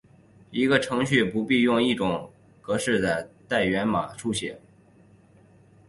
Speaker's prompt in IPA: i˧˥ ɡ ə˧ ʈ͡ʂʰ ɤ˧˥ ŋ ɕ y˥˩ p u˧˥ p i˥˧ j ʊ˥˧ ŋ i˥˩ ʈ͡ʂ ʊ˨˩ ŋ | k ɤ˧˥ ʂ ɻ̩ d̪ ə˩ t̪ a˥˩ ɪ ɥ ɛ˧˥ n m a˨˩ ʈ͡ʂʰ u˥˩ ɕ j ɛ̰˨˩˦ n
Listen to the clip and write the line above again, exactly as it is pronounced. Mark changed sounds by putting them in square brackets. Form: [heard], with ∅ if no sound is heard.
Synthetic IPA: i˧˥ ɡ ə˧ ʈ͡ʂʰ ɤ˧˥ ŋ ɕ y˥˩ p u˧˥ p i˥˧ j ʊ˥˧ ŋ i˥˩ ʈ͡ʂ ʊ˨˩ ŋ | k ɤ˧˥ ʂ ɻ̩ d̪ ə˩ t̪ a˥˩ ɪ ɥ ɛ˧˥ n m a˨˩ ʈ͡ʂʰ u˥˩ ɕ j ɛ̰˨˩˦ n